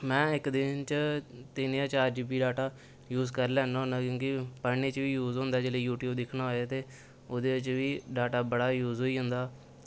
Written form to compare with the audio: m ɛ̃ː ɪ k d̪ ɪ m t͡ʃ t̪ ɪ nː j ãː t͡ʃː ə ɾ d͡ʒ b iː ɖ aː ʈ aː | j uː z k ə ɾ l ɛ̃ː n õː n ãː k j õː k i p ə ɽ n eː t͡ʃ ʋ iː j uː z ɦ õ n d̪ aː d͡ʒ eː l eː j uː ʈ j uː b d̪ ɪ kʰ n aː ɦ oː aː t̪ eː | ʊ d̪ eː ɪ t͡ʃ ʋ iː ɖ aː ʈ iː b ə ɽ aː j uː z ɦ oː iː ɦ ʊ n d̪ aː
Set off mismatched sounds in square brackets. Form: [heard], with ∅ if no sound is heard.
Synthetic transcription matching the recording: m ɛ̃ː ɪ k d̪ ɪ [n] t͡ʃ t̪ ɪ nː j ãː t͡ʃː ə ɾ d͡ʒ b iː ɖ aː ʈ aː | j uː z k ə ɾ l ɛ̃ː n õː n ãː k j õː k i p ə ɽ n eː t͡ʃ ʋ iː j uː z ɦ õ n d̪ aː d͡ʒ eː l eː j uː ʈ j uː b d̪ ɪ kʰ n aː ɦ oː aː t̪ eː | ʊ d̪ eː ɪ t͡ʃ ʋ iː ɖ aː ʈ [aː] b ə ɽ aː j uː z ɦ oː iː ɦ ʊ n d̪ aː